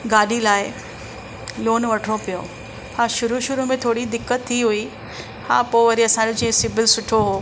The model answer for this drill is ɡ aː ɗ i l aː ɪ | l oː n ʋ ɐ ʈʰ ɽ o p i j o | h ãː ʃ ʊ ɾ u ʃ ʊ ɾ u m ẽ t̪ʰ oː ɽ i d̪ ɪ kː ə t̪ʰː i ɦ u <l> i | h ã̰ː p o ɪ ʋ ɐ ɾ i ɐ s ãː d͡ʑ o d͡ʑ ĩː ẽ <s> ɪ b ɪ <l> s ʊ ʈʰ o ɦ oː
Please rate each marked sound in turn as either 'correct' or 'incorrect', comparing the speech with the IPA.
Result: incorrect: none, correct, correct

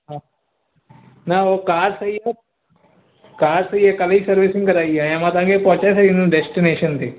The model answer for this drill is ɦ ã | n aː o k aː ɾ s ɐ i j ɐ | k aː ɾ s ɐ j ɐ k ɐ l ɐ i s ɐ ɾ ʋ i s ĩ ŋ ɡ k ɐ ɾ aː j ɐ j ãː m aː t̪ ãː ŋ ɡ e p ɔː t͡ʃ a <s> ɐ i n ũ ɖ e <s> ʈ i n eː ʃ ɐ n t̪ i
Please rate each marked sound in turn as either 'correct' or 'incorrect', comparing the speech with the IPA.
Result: correct, correct

